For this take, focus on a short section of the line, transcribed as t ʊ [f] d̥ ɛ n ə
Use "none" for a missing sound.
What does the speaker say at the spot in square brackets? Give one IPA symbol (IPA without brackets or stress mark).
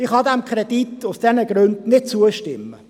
s